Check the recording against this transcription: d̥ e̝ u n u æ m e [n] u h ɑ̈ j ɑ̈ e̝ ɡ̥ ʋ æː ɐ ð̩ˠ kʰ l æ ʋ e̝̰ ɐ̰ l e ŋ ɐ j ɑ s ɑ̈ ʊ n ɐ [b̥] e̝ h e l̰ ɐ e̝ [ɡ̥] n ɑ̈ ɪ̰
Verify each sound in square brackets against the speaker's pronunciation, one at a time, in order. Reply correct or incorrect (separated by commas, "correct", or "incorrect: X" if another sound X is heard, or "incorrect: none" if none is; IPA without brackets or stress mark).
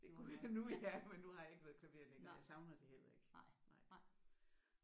incorrect: nː, incorrect: d̥, correct